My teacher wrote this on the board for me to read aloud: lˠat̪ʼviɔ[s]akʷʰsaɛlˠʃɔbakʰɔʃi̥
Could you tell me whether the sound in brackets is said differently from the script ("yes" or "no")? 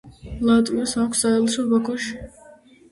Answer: no